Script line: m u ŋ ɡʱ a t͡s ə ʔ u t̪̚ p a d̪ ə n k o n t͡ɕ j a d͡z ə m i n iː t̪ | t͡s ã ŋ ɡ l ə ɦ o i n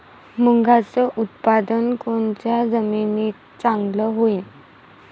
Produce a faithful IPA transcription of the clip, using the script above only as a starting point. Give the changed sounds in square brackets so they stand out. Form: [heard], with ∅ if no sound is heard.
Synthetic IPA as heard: m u ŋ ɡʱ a t͡s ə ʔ u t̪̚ p a d̪ ə n k o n t͡ɕ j a d͡z ə m i n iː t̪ | t͡s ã ŋ ɡ l ə ɦ o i n